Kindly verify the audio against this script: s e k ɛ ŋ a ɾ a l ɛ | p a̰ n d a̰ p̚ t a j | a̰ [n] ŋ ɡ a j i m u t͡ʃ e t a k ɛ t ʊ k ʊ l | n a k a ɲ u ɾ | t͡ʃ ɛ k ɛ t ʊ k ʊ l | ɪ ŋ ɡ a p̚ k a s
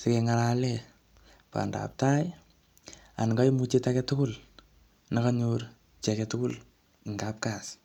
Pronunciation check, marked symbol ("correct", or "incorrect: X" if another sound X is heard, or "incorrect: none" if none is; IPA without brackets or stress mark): correct